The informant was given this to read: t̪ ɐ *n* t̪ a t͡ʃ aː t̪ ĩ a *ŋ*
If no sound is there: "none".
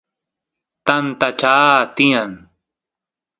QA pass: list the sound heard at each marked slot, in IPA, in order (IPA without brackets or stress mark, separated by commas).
n, n